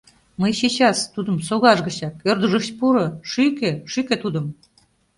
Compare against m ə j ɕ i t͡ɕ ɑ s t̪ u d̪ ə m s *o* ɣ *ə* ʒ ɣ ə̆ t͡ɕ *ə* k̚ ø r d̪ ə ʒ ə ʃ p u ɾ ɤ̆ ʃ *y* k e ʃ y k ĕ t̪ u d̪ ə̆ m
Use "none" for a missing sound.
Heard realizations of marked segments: o, ɑ, ɑ, y

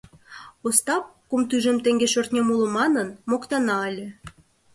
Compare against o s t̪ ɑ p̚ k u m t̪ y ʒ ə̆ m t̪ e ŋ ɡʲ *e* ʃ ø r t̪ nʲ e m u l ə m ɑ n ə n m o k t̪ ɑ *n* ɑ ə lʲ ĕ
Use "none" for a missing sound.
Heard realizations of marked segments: e, n

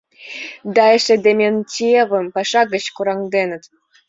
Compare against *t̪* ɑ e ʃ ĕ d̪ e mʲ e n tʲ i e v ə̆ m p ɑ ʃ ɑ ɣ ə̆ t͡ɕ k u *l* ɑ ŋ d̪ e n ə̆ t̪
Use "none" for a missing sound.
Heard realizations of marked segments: d̪, ɾ

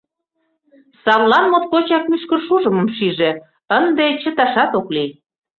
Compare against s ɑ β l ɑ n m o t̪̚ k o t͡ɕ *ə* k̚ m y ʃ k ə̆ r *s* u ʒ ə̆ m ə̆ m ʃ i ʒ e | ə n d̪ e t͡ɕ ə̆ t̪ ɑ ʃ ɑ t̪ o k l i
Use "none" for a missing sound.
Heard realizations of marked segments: ɑ, ʃ

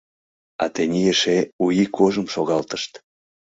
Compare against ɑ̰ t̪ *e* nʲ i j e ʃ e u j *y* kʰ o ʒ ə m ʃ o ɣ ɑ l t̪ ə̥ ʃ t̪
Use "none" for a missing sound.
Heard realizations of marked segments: e, i

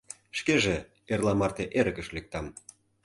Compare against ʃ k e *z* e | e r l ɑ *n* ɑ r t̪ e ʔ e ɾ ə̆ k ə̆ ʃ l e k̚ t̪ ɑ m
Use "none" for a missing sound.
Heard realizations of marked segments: ʒ, m

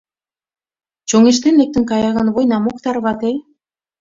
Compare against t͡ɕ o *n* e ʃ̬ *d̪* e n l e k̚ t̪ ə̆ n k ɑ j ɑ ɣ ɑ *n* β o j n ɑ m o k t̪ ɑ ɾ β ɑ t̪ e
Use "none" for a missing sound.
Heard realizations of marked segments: ŋ, t̪, n

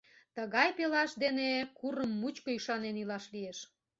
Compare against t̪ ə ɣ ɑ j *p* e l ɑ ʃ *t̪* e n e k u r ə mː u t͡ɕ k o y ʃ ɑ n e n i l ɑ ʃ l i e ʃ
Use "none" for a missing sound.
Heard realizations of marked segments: p, d̪

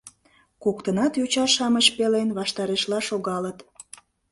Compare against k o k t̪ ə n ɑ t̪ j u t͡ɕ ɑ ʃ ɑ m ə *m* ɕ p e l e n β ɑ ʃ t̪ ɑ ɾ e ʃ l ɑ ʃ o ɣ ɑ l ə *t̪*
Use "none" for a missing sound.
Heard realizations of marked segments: none, t̪

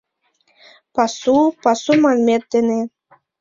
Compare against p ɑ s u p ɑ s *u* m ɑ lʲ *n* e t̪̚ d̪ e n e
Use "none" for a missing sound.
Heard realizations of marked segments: u, m

